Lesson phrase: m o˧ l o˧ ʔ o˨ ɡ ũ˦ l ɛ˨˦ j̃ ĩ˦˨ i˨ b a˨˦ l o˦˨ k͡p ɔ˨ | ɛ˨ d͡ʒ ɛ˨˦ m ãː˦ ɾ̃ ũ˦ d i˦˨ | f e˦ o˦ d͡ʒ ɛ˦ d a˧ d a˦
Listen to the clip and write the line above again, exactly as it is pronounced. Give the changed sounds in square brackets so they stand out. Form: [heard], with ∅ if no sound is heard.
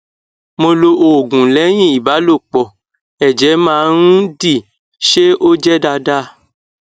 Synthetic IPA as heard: m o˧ l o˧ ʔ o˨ ɡ [ũ˨] l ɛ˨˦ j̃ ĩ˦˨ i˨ b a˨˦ l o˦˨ k͡p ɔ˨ | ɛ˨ d͡ʒ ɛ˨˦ m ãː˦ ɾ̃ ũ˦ d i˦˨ | [ʃ] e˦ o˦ d͡ʒ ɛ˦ d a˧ d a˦